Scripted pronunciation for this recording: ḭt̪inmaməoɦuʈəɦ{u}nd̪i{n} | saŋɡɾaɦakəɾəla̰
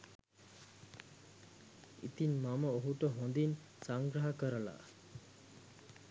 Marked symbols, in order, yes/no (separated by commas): no, yes